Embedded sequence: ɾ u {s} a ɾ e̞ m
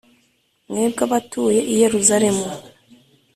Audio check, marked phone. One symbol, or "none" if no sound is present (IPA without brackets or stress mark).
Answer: z